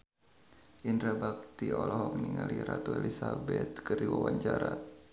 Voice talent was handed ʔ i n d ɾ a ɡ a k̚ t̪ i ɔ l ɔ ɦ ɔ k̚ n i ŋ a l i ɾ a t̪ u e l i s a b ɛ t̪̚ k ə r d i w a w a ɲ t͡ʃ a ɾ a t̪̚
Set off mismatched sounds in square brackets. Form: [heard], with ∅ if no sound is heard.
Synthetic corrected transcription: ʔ i n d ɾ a [b] a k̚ t̪ i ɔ l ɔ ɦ ɔ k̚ n i ŋ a l i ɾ a t̪ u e l i s a b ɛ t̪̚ k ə r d i w a w a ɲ t͡ʃ a ɾ a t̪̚